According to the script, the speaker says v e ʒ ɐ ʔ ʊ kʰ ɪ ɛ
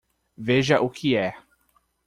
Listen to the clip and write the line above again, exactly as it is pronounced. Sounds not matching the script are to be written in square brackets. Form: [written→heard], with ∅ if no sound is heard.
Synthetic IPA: v e ʒ ɐ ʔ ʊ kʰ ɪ ɛ